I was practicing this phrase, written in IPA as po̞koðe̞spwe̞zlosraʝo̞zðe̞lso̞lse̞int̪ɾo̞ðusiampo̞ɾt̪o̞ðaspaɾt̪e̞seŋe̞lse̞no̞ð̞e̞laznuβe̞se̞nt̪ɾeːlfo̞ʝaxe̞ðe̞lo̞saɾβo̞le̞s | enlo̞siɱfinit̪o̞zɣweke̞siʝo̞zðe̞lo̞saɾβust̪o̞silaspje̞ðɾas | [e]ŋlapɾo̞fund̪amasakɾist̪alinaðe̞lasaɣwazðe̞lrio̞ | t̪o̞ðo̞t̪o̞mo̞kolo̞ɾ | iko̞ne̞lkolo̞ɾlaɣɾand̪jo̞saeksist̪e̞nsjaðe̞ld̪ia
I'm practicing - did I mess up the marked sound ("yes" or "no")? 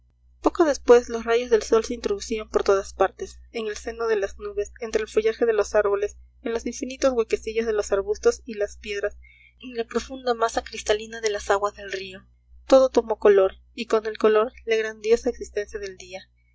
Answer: no